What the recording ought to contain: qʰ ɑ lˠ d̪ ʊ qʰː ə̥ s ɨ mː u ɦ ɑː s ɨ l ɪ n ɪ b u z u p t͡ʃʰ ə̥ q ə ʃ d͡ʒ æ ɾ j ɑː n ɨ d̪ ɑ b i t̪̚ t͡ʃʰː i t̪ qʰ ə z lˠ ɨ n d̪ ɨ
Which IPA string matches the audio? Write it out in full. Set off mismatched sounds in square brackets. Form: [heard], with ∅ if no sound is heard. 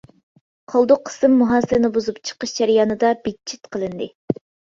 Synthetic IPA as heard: qʰ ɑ lˠ d̪ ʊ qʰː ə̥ s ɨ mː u ɦ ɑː s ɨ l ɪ n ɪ b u z u p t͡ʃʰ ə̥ q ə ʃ d͡ʒ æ ɾ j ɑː n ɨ d̪ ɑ b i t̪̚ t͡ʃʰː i t̪ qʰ ə [∅] lˠ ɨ n d̪ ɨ